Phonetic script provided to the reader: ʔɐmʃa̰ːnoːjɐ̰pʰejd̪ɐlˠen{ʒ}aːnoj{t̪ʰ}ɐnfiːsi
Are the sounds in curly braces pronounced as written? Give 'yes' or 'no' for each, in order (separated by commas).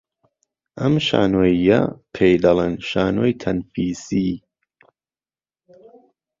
no, yes